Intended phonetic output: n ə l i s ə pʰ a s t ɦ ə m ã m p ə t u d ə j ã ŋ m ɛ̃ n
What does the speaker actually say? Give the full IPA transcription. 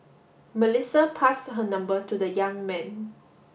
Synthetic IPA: m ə l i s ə pʰ a s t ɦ ə n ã m b ə t u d ə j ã ŋ m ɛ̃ n